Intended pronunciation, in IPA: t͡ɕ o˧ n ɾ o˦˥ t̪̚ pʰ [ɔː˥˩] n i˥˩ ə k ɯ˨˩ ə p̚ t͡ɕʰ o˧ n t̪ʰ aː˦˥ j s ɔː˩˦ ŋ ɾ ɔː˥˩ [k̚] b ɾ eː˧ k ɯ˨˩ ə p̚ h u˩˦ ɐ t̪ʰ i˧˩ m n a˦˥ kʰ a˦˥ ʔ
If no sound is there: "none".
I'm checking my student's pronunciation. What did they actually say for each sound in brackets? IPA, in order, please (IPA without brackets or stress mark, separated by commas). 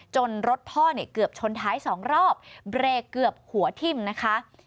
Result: ɔː˥˩, p̚